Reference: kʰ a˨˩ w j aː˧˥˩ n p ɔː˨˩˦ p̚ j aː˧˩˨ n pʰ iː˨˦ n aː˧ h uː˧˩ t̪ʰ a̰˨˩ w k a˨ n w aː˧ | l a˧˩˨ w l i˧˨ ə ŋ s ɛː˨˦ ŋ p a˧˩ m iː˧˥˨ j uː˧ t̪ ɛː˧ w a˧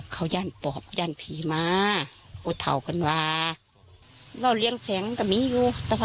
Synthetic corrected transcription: kʰ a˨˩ w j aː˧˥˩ n p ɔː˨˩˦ p̚ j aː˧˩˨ n pʰ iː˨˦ m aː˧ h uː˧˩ t̪ʰ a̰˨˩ w k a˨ n w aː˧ | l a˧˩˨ w l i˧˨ ə ŋ s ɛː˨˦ ŋ k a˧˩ m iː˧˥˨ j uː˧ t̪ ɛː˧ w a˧